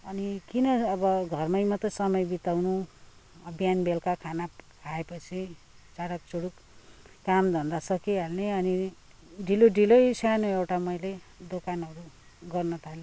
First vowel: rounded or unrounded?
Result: unrounded